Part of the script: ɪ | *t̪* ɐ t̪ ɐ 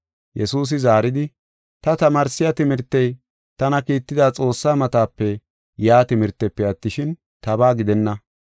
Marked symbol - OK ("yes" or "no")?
yes